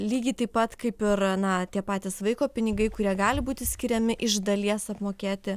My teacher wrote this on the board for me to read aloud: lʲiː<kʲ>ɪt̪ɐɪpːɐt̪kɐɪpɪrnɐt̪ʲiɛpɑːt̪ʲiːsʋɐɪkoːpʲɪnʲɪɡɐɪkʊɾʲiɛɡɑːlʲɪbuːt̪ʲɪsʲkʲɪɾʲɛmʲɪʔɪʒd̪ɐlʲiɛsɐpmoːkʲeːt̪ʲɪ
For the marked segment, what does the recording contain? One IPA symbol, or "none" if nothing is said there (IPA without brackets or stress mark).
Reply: ɡʲ